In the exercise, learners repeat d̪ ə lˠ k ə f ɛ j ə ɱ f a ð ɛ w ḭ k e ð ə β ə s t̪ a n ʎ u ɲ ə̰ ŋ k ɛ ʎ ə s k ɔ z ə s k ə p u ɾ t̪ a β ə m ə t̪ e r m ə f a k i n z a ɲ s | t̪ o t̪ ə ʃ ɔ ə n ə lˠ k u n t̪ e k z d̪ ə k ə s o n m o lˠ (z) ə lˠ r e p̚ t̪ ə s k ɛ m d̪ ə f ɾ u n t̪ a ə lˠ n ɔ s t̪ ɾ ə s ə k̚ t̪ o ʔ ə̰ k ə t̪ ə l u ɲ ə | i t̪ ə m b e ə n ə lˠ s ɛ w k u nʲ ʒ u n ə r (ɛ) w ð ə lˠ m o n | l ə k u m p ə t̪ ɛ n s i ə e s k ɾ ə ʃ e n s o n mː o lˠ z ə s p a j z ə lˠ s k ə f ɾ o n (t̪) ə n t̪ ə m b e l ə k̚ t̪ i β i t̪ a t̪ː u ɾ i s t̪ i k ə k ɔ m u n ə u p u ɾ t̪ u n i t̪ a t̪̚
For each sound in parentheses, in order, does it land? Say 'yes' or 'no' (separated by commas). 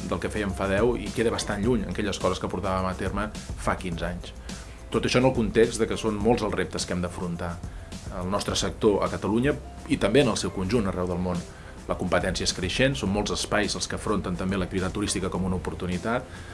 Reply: yes, yes, yes